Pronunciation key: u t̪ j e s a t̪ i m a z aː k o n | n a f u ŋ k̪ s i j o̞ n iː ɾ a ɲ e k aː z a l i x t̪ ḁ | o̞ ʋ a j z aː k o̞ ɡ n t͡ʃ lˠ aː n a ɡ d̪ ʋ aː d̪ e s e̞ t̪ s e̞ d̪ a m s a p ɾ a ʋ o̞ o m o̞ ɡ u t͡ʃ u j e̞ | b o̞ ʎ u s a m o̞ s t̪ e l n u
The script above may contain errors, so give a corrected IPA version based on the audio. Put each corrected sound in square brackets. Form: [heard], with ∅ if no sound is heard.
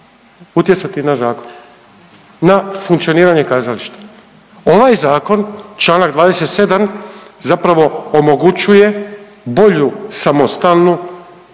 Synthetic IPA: u t̪ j e s a t̪ i [n] a z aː k o n | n a f u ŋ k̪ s i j o̞ n iː ɾ a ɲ e k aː z a l i [ʃ] t̪ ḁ | o̞ ʋ a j z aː k o̞ [∅] n t͡ʃ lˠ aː n a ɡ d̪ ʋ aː d̪ e s e̞ t̪ s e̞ d̪ a m [z] a p ɾ a ʋ o̞ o m o̞ ɡ u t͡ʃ u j e̞ | b o̞ ʎ u s a m o̞ s t̪ [a] l n u